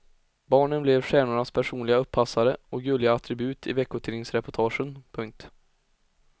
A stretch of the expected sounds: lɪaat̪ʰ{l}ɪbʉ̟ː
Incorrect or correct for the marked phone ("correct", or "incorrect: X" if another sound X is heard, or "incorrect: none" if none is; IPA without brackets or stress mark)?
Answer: incorrect: ɾ